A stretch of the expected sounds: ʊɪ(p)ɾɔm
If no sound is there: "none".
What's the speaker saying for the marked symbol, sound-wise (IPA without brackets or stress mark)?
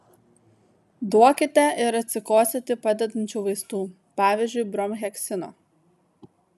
b